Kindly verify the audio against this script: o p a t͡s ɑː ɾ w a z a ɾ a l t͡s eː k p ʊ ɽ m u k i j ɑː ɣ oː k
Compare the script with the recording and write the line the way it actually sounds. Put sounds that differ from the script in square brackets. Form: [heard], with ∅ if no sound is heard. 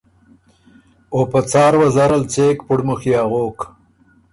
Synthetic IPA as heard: o p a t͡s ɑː ɾ w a z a ɾ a l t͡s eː k p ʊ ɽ m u [x] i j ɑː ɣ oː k

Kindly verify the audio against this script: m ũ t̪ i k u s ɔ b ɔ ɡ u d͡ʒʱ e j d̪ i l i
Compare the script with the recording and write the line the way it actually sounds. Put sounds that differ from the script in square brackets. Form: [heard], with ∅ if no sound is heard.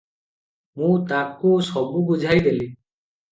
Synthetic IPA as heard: m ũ t̪ [a] k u s ɔ b [u] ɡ u d͡ʒʱ [a] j d̪ [e] l i

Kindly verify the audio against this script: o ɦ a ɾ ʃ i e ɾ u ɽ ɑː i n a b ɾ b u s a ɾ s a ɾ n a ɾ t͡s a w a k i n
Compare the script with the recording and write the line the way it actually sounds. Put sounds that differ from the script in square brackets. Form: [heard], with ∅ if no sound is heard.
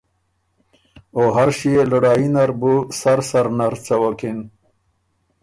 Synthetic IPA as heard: o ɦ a ɾ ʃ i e [l] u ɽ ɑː i n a [∅] ɾ b u s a ɾ s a ɾ n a ɾ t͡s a w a k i n

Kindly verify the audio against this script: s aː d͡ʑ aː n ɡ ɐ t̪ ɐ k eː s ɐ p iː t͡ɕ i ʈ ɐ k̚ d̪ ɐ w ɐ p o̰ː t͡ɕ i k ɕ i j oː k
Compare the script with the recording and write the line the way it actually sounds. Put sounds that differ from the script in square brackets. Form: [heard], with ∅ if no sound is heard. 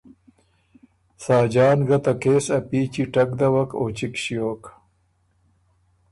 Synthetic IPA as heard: s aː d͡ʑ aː n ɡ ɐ t̪ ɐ k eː s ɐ p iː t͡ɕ i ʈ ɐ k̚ d̪ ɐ w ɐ [k] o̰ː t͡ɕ i k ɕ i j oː k

